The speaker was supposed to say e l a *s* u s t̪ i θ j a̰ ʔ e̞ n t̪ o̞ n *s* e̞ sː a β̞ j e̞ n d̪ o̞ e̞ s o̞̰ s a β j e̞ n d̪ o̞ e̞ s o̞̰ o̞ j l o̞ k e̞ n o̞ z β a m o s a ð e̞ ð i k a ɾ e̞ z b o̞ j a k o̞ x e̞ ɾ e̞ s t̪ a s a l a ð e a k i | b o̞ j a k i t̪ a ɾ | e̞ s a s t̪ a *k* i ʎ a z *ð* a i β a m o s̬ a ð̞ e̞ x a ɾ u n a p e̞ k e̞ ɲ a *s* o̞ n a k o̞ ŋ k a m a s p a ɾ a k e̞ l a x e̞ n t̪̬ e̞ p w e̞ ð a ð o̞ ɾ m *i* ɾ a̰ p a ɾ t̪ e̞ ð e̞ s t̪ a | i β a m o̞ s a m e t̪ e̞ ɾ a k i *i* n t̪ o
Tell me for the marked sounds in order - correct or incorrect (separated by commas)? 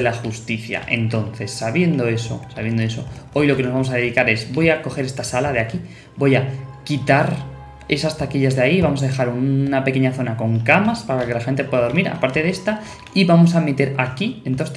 incorrect, incorrect, correct, correct, incorrect, correct, incorrect